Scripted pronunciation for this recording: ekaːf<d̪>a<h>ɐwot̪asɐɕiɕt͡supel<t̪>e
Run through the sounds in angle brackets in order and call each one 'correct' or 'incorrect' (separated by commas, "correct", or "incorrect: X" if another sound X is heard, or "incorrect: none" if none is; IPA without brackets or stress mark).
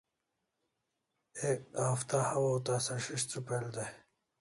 incorrect: t̪, correct, incorrect: d̪